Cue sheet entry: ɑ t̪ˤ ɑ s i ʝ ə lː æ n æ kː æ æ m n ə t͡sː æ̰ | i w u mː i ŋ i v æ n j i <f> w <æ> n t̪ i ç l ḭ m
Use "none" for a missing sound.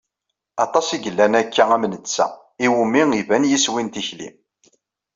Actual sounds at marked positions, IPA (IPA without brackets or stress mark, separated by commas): s, i